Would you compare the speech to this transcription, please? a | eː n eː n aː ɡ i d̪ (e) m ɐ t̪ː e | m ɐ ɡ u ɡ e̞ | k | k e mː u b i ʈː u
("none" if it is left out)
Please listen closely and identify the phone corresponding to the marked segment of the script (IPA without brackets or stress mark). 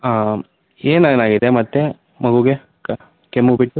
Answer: e